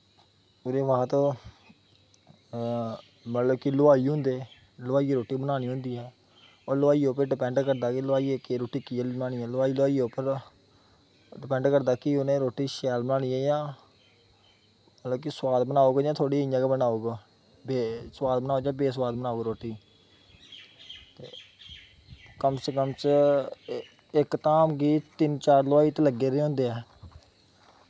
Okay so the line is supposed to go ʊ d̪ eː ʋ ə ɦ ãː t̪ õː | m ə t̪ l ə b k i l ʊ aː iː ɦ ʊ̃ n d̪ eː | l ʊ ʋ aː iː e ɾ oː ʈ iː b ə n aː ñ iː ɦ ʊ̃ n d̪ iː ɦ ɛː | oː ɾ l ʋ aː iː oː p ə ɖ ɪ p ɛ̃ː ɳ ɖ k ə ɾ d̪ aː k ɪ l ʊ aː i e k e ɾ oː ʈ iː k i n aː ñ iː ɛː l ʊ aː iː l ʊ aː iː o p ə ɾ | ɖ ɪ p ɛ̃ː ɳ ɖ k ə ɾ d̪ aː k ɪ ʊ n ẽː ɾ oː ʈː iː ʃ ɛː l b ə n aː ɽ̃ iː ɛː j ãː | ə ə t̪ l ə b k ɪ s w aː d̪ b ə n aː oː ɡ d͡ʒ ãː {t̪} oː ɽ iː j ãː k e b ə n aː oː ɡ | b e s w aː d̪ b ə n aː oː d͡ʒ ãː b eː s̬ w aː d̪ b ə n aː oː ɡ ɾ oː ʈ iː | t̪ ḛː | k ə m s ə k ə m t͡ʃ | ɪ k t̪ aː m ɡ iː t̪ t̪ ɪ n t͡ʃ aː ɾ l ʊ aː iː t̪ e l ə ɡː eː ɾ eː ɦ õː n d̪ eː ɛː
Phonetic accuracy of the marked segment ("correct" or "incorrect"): incorrect